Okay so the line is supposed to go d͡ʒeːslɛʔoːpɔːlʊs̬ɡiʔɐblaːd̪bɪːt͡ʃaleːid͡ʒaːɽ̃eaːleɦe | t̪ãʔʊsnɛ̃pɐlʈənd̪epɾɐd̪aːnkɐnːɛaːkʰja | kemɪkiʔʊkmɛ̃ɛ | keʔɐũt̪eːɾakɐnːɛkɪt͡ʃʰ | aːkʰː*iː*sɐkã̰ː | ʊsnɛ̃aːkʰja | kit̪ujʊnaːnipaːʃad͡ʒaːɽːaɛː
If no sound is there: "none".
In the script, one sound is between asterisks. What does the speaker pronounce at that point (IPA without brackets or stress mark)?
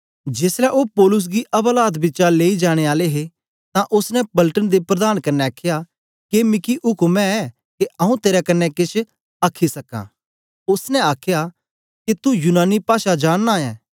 i